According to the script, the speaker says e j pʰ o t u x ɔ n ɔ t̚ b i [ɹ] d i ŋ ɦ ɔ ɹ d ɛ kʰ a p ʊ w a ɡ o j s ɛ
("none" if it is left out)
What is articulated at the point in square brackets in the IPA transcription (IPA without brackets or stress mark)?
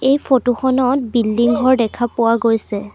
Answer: l